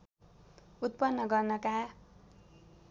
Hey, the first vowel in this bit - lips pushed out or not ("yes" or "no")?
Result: yes